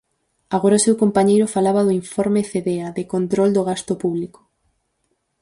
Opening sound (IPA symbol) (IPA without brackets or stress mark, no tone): a